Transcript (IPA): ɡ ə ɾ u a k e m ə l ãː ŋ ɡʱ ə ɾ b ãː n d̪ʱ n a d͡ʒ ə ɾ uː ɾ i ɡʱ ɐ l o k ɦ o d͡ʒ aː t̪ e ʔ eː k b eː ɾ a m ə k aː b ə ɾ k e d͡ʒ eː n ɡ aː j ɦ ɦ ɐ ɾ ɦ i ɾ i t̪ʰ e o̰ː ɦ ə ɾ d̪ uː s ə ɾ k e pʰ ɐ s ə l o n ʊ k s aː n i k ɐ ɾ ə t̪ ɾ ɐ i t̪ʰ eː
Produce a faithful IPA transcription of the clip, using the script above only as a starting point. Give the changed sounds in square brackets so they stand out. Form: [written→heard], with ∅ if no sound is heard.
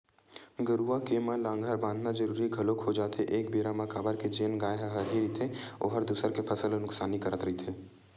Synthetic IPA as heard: ɡ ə ɾ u a k e m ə l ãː ŋ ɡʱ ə ɾ b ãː n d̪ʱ n a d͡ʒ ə ɾ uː ɾ i ɡʱ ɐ l o k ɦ o d͡ʒ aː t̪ e ʔ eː k b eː ɾ a m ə k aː b ə ɾ k e d͡ʒ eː n ɡ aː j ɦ ɦ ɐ ɾ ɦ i ɾ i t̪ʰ e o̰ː ɦ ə ɾ d̪ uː s ə ɾ k e pʰ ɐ s ə l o n ʊ k s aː n i k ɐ ɾ ə t̪ ɾ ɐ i t̪ʰ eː